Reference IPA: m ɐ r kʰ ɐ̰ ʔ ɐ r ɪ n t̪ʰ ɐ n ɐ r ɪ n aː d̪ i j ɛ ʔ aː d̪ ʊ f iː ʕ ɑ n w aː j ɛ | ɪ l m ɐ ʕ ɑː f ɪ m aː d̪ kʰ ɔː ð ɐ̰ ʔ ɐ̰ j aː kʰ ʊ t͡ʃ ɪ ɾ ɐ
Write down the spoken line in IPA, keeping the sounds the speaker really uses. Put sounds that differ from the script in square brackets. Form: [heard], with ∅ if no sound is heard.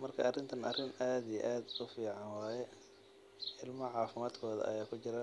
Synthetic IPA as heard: m ɐ r kʰ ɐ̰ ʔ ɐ r ɪ n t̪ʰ ɐ n ɐ r ɪ n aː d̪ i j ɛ ʔ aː d̪ ʊ f iː ʕ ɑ n w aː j ɛ | ɪ l m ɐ ʕ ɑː f ɪ m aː d̪ kʰ ɔː ð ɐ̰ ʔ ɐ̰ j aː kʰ ʊ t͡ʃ ɪ ɾ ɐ